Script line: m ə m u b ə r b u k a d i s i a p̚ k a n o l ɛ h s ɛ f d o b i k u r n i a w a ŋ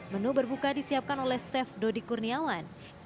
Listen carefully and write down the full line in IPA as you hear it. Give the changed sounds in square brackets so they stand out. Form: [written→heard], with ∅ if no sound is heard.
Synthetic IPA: m ə [m→n] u b ə r b u k a d i s i a p̚ k a n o l ɛ h s ɛ f d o [b→d] i k u r n i a w a [ŋ→n]